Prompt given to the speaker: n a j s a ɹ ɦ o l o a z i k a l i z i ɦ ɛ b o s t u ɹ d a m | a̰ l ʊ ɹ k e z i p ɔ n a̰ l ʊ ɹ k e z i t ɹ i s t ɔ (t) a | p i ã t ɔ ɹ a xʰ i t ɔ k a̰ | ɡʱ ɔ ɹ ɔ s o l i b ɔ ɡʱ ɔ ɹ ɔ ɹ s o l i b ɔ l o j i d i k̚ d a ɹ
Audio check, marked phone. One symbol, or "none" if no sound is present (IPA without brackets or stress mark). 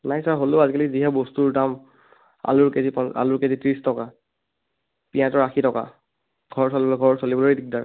k